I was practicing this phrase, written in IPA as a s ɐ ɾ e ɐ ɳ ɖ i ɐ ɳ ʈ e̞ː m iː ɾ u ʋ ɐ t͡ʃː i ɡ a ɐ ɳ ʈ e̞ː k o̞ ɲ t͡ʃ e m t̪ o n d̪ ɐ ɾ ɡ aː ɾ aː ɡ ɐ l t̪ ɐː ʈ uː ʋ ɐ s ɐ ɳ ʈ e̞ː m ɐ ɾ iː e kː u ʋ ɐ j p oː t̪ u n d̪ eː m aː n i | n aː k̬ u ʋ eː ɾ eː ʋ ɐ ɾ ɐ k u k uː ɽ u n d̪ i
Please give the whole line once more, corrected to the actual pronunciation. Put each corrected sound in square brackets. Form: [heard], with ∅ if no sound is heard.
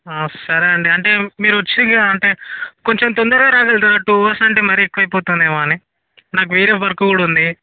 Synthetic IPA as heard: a s ɐ ɾ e ɐ ɳ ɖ i ɐ ɳ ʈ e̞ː m iː ɾ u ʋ ɐ t͡ʃː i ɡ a ɐ ɳ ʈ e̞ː k o̞ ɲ t͡ʃ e m t̪ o n d̪ ɐ ɾ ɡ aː ɾ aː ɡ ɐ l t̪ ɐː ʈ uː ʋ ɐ s ɐ ɳ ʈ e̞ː m ɐ ɾ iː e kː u ʋ ɐ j p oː t̪ u n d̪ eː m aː n i | n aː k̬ u ʋ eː ɾ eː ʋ ɐ ɾ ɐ k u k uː ɽ u n d̪ i

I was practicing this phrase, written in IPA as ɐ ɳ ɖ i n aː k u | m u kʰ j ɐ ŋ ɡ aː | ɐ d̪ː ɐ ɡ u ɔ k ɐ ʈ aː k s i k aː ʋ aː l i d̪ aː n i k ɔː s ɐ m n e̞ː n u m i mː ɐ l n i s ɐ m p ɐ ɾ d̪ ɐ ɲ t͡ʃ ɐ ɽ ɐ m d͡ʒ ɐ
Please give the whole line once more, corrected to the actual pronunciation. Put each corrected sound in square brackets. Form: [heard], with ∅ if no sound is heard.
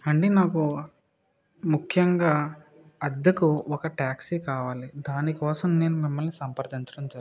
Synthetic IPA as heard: ɐ ɳ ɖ i n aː k u | m u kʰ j ɐ ŋ ɡ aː | ɐ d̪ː ɐ [k] u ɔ k ɐ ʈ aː k s i k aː ʋ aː l i d̪ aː n i k ɔː s ɐ m n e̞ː n u m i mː ɐ l n i s ɐ m p ɐ ɾ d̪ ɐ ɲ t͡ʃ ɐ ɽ ɐ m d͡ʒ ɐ

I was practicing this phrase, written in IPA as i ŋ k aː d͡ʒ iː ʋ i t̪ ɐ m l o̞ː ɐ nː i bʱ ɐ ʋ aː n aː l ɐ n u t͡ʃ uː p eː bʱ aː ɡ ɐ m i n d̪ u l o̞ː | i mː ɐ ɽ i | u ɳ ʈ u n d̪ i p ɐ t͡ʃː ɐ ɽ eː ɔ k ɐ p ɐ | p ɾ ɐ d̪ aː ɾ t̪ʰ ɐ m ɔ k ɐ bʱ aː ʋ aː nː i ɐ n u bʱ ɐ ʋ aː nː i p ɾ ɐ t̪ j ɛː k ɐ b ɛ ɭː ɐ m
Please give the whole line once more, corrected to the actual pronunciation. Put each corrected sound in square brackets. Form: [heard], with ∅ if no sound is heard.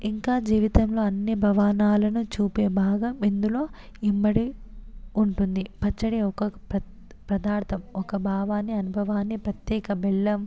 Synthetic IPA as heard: i ŋ k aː d͡ʒ iː ʋ i t̪ ɐ m l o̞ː ɐ nː i bʱ ɐ ʋ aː n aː l ɐ n u t͡ʃ uː p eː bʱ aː ɡ ɐ m i n d̪ u l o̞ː | i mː ɐ ɽ i | u ɳ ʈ u n d̪ i p ɐ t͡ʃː ɐ ɽ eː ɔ k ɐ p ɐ | p ɾ ɐ d̪ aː ɾ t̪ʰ ɐ m ɔ k ɐ bʱ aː ʋ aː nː i ɐ n u bʱ ɐ ʋ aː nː i p ɾ ɐ t̪ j ɛː k ɐ b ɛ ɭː ɐ m

